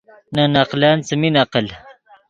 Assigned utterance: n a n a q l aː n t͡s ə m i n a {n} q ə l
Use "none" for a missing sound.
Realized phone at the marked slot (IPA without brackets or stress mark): none